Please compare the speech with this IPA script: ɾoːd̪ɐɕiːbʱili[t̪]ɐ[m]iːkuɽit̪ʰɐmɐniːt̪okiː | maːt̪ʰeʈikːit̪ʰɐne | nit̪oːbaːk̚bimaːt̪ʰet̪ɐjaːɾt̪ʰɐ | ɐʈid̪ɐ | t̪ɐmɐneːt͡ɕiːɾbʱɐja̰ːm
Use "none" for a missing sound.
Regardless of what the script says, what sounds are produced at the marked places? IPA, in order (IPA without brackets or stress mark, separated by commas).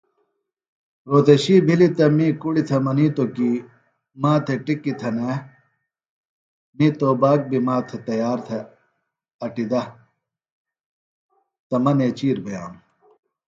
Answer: t̪, m